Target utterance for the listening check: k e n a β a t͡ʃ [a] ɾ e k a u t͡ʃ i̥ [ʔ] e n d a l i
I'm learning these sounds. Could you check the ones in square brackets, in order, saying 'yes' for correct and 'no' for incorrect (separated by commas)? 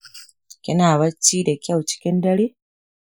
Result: no, no